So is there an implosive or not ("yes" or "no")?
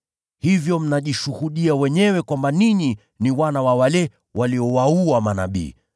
yes